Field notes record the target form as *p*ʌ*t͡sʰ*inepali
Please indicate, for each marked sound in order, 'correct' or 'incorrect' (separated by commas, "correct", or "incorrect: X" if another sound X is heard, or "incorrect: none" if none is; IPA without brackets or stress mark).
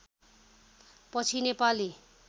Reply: correct, correct